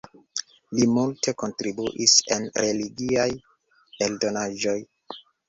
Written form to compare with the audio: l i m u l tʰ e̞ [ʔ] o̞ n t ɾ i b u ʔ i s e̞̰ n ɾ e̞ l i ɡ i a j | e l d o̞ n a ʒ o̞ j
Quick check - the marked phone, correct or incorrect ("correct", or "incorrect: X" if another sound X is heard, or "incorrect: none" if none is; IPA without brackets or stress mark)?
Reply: incorrect: k